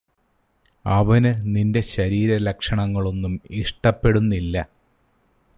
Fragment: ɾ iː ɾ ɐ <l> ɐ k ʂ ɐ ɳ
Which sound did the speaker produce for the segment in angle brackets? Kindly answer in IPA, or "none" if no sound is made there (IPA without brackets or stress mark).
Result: l